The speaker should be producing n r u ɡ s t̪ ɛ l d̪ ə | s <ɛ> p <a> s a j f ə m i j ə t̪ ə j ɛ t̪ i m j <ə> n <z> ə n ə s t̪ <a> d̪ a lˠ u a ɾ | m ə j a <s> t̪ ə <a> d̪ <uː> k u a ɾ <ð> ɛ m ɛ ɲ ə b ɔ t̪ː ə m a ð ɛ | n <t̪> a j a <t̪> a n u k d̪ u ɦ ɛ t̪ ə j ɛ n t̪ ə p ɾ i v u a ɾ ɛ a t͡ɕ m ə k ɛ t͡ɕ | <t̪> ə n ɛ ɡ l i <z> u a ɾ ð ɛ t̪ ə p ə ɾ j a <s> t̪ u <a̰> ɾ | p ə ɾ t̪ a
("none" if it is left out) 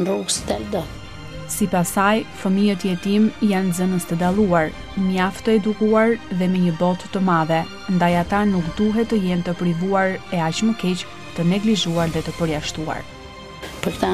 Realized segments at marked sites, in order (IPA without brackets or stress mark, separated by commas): i, a, a, z, ə, f, ɛ, u, ð, d̪, t̪, t̪, ʒ, ʃ, a̰